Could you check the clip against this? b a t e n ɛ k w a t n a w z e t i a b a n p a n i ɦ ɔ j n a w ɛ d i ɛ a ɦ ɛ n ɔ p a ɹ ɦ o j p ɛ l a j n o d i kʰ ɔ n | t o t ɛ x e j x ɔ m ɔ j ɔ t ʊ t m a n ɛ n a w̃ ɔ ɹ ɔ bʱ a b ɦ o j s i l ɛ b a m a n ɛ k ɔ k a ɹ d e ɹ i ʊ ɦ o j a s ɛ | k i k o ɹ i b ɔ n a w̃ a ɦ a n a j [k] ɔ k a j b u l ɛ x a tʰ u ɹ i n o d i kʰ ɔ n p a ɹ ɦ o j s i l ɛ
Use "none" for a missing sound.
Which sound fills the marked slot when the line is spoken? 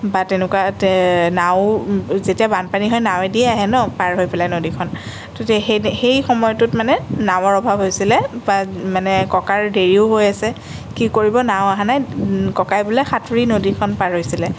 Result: k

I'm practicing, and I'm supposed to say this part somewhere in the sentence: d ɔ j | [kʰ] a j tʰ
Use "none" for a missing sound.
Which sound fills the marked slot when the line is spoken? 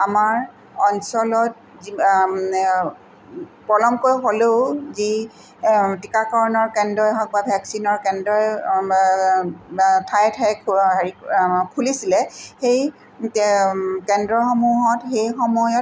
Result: tʰ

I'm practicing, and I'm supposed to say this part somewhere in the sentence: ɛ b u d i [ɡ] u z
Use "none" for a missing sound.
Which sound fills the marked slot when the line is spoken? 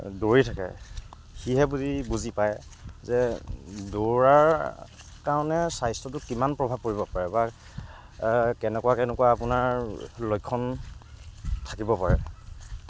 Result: b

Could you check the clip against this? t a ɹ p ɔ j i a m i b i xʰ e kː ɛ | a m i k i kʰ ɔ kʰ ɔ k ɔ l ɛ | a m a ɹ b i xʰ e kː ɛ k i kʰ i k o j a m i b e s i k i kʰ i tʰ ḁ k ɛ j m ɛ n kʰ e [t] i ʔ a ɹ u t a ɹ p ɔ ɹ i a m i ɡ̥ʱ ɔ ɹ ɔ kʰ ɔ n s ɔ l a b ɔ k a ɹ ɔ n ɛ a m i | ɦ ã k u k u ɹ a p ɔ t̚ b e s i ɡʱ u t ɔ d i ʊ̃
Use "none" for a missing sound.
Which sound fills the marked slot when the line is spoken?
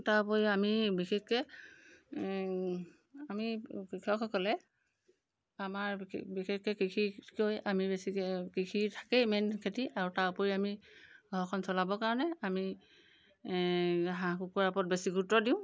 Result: t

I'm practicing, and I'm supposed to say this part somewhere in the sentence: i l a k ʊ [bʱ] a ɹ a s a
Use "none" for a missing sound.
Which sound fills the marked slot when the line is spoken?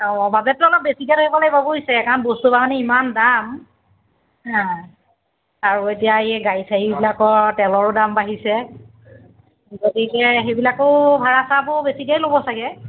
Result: bʱ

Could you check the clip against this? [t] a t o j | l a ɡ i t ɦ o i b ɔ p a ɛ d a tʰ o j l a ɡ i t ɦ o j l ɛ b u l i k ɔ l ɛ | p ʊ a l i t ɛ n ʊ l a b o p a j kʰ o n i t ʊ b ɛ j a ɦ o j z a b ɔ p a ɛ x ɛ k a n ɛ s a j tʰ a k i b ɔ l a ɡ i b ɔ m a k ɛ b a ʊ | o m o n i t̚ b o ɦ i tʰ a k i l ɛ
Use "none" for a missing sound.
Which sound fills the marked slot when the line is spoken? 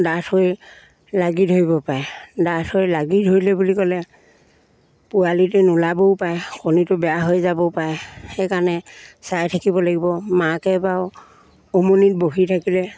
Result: d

